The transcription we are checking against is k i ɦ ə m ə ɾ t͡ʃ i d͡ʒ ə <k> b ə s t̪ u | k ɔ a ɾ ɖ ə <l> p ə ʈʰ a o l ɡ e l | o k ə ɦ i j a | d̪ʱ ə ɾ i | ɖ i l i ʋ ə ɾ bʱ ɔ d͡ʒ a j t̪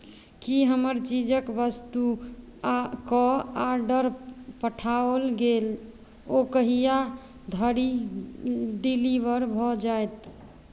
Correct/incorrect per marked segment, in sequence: correct, incorrect: ɾ

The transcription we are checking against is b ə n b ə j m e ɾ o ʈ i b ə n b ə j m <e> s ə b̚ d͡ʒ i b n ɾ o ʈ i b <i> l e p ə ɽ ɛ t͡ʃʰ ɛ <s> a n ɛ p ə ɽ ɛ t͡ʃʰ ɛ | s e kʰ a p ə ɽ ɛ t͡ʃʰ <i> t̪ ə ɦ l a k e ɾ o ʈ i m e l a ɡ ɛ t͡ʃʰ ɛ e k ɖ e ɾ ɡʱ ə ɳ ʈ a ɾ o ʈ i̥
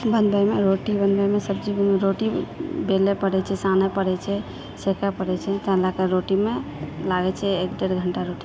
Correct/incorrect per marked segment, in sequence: correct, incorrect: e, correct, incorrect: ɛ

